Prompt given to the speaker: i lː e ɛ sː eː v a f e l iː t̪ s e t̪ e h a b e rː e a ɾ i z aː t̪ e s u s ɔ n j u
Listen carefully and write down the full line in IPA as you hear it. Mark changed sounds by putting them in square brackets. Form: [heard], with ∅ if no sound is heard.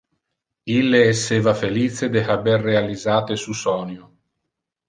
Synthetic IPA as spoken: i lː e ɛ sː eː v a f e l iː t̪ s e [d̪] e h a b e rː e a [l] i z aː t̪ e s u s ɔ n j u